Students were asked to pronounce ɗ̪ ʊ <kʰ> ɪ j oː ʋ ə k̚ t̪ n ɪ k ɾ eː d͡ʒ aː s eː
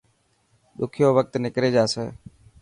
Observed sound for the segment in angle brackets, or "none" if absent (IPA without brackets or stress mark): kʰ